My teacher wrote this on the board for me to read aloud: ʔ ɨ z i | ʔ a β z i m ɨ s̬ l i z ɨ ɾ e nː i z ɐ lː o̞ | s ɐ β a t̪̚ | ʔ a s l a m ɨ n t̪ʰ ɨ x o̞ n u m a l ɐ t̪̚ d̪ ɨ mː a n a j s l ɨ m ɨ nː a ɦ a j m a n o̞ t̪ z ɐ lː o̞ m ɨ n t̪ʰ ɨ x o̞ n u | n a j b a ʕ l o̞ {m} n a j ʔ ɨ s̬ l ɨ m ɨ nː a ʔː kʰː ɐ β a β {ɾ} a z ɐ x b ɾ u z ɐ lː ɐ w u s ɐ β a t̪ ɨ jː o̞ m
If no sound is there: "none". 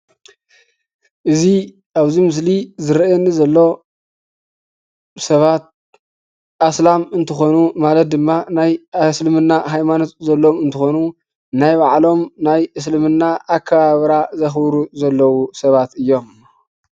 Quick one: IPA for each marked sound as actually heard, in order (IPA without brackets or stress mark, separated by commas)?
m, ɾ